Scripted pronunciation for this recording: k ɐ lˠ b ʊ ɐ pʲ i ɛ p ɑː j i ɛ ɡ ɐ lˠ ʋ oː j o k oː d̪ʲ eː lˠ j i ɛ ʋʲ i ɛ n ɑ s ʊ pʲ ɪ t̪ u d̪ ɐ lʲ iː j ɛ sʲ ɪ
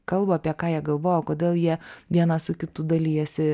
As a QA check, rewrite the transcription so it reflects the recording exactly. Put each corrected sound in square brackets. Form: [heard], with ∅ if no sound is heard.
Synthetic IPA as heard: k ɐ lˠ b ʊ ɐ pʲ i ɛ [k] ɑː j i ɛ ɡ ɐ lˠ ʋ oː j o k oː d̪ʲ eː lˠ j i ɛ ʋʲ i ɛ n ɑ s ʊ [kʲ] ɪ t̪ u d̪ ɐ lʲ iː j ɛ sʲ ɪ